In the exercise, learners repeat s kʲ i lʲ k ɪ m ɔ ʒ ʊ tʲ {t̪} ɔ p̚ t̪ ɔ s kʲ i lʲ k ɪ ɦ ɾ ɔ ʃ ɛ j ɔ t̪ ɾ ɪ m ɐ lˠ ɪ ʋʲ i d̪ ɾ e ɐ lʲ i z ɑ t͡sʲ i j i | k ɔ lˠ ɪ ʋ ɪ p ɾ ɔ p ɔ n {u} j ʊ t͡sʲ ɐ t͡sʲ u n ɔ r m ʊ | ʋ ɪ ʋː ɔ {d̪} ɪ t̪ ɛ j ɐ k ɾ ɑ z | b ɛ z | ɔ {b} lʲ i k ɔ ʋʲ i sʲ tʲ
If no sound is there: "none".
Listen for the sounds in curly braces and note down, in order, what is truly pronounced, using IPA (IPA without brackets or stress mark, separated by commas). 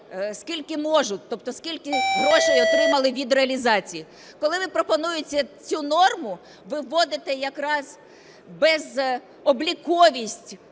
t̪, u, d̪, b